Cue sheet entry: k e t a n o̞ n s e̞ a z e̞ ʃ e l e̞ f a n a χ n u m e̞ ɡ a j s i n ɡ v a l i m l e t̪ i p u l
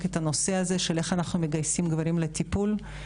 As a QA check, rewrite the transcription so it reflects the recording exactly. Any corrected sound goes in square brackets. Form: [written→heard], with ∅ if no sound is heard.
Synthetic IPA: k e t a n o̞ [n→∅] s e̞ a z e̞ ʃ e l e̞ [f→χ] a n a χ n u m e̞ ɡ a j s i [n→m] ɡ v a [l→ɾ] i m l e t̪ i p u l